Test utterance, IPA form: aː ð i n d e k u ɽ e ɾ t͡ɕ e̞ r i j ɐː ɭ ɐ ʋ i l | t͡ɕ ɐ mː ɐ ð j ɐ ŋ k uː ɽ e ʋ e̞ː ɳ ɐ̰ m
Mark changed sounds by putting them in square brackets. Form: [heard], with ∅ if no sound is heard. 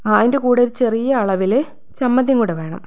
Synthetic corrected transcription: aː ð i n d e k [uː] ɽ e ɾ t͡ɕ e̞ r i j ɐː ɭ ɐ ʋ i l | t͡ɕ ɐ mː ɐ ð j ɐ ŋ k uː ɽ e ʋ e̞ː ɳ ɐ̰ m